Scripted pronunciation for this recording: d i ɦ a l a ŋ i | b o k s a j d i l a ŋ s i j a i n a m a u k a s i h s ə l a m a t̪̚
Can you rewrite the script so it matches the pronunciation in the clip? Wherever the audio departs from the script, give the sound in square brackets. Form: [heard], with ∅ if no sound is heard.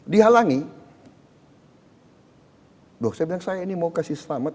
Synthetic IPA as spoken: d i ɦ a l a ŋ i | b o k s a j [b] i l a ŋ s [a] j a i n [i] m a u k a s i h s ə l a m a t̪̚

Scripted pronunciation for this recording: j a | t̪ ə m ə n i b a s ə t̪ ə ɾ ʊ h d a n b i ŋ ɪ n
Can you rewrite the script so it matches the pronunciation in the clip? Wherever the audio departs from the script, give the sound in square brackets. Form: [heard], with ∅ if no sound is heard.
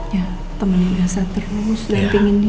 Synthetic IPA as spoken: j a | t̪ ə m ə n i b a s [a] t̪ ə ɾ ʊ [s] d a n [p] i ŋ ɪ n

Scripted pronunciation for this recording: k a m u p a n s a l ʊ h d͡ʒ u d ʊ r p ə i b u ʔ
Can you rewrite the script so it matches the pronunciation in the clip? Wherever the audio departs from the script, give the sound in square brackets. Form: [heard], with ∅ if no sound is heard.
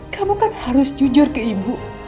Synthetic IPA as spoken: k a m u [k] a n [h] a [ɾ] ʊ [s] d͡ʒ u [d͡ʒ] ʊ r [k] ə i b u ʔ

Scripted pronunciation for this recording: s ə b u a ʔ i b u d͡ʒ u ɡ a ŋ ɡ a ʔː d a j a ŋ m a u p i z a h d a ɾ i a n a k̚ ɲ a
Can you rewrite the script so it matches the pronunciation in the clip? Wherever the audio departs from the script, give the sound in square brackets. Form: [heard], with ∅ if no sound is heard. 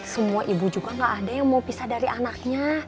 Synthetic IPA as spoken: s ə [m] u a ʔ i b u d͡ʒ u ɡ a ŋ ɡ a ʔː d a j a ŋ m a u p i [s] a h d a ɾ i a n a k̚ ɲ a

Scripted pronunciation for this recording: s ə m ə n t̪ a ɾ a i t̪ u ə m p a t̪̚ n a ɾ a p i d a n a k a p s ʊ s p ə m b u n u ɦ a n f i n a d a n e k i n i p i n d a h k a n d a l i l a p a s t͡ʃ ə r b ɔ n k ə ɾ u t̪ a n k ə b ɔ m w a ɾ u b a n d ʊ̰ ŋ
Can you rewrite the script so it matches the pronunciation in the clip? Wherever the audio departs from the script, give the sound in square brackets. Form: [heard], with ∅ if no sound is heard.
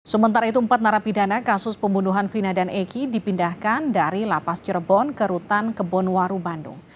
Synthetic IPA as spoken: s ə m ə n t̪ a ɾ a i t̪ u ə m p a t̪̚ n a ɾ a p i d a n a k a [∅] s ʊ s p ə m b u n u ɦ a n f i n a d a n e k i [d] i p i n d a h k a n d a [ɾ] i l a p a s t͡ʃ ə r b ɔ n k ə ɾ u t̪ a n k ə b ɔ [n] w a ɾ u b a n d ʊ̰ ŋ

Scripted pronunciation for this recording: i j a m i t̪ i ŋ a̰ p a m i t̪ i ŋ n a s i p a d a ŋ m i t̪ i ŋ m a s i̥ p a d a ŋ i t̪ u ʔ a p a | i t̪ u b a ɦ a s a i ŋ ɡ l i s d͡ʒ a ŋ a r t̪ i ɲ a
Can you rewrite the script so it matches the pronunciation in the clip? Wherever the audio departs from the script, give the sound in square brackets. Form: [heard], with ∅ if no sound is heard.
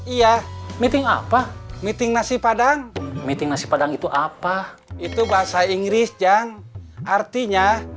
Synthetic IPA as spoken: i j a m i t̪ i ŋ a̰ p a m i t̪ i ŋ n a s i p a d a ŋ m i t̪ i ŋ [n] a s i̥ p a d a ŋ i t̪ u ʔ a p a | i t̪ u b a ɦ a s a i ŋ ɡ [ɾ] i s d͡ʒ a ŋ a r t̪ i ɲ a

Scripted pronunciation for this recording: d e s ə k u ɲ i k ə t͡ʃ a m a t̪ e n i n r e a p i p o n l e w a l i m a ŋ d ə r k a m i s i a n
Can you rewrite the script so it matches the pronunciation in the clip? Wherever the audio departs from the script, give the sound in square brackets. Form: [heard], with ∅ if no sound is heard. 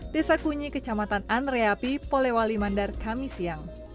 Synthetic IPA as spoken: d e s [a] k u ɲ i k ə t͡ʃ a m a t̪ [a] n [a] n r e a p i p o [∅] l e w a l i m a [n] d [a] r k a m i s i a [ŋ]

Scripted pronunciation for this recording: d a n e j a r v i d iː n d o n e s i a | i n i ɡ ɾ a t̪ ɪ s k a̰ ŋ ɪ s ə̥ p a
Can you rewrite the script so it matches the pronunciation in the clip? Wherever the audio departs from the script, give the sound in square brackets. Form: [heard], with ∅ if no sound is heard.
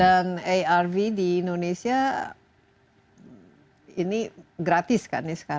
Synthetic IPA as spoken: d a n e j a r v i d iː n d o n e s i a | i n i ɡ ɾ a t̪ ɪ s k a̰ [n] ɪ s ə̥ [k] a

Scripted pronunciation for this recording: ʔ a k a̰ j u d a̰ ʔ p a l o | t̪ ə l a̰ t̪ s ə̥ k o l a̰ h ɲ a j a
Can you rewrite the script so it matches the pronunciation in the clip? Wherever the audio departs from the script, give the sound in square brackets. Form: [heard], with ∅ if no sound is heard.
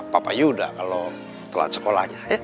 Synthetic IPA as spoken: [p] a [p] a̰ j u d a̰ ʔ [k] a l o | t̪ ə l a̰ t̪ s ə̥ k o l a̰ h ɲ a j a

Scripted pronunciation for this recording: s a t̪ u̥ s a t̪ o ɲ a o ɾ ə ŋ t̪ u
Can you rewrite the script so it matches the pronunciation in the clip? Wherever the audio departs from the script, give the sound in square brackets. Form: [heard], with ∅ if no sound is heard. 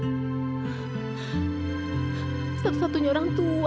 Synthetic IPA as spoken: s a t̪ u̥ s a t̪ [u] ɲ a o ɾ [a] ŋ t̪ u

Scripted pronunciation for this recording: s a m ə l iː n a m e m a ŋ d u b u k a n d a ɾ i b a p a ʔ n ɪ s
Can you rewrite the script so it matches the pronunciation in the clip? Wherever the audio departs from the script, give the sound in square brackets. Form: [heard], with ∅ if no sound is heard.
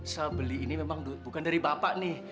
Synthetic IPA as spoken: s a [b] ə l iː n [i] m e m a ŋ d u b u k a n d a ɾ i b a p a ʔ n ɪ [h]

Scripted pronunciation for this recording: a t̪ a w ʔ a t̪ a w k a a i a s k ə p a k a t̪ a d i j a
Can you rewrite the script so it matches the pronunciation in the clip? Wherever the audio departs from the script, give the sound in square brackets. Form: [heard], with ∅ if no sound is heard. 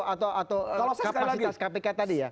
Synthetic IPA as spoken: a t̪ a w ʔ a t̪ a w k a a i a s k [a] p [e] k a t̪ a d i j a

